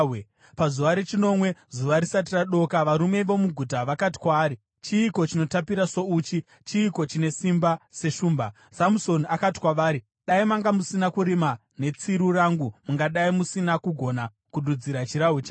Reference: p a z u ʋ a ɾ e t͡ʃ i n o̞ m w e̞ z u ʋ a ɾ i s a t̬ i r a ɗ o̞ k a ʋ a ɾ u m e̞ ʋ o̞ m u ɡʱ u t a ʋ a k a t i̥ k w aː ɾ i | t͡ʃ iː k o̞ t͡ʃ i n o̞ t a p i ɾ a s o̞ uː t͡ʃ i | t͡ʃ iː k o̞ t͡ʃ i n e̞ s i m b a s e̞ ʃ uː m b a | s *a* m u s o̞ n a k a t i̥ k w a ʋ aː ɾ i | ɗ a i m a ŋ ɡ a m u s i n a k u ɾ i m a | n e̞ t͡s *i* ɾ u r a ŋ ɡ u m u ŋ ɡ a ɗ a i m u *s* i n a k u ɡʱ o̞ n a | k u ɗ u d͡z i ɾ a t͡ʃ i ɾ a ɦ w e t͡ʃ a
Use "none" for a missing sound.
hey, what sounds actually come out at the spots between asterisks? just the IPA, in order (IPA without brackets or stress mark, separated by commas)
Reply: a, i, s